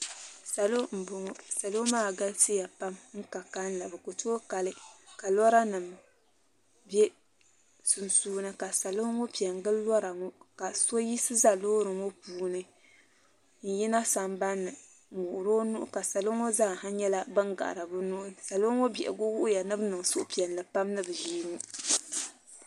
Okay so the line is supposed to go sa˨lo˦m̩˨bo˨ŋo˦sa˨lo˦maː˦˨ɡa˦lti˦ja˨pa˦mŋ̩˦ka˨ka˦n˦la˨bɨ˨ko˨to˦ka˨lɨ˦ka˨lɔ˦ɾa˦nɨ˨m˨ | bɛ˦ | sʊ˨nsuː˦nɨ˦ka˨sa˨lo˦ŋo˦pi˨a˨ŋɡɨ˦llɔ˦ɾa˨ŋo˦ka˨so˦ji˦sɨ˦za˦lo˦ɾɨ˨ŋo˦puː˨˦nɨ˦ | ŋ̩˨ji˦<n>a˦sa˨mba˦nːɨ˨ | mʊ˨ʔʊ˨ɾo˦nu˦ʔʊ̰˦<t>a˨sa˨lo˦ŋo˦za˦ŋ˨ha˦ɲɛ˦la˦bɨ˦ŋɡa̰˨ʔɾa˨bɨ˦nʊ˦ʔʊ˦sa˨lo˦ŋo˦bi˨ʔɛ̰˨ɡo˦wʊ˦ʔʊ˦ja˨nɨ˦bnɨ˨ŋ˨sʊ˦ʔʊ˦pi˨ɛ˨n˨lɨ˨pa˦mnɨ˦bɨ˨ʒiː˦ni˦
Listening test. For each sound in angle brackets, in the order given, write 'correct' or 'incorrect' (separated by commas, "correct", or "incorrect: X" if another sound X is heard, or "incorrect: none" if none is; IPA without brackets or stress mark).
correct, incorrect: k